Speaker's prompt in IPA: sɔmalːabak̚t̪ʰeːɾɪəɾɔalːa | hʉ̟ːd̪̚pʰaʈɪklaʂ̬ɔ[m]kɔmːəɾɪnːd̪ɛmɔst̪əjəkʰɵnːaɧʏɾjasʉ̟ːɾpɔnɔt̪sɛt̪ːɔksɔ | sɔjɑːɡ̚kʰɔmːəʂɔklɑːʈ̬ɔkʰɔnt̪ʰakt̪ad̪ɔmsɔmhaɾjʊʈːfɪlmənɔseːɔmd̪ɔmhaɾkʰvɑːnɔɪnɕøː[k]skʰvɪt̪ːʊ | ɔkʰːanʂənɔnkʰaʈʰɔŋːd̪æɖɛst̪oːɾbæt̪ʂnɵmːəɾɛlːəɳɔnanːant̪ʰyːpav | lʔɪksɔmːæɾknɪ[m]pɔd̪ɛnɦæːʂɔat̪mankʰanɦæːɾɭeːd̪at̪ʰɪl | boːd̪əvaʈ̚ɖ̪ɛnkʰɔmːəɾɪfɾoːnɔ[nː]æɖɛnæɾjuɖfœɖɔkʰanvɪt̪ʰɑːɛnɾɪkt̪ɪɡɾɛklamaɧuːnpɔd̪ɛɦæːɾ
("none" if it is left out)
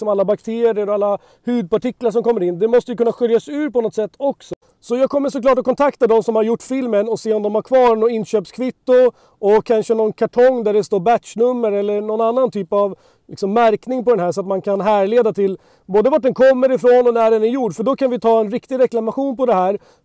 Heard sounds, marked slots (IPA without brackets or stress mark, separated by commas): m, p, ŋ, n